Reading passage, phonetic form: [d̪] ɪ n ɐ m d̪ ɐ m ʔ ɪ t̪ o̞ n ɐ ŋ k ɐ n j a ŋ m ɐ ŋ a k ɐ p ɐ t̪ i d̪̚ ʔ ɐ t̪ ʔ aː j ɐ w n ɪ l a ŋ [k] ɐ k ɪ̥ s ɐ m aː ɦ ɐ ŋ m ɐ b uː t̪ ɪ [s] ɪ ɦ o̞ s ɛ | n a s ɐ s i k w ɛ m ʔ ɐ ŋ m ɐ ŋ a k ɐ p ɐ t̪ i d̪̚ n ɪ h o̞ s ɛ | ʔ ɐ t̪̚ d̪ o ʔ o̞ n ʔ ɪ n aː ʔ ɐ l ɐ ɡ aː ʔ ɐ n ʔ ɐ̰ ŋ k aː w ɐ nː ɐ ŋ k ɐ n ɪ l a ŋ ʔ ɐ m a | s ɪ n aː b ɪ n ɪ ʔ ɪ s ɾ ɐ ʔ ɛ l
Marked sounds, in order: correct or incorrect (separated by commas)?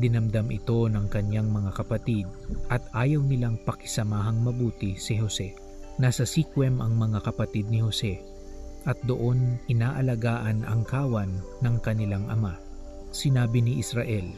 correct, incorrect, correct